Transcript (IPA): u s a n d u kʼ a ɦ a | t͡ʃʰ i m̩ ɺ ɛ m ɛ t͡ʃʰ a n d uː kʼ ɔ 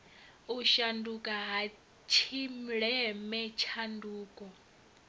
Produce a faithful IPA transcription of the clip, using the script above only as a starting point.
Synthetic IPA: u ʃ a n d u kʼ a ɦ a | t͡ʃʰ i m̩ ɺ ɛ m ɛ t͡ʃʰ a n d uː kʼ ɔ